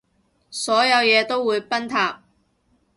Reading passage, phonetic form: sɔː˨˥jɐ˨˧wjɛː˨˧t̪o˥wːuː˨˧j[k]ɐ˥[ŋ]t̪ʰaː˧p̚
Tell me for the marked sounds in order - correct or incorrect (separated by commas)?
incorrect, incorrect